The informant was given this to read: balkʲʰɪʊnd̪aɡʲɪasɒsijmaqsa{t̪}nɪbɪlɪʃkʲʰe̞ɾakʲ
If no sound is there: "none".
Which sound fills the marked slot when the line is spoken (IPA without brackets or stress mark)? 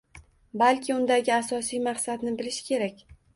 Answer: d̪